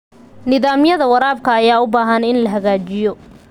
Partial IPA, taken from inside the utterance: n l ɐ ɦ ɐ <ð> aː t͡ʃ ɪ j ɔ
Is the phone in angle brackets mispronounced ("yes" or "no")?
yes